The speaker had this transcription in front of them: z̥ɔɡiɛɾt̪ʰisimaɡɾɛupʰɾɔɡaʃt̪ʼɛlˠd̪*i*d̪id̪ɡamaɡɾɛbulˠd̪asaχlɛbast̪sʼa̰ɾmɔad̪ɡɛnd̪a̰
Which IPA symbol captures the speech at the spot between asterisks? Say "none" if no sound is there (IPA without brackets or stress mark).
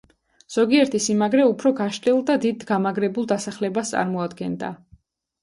a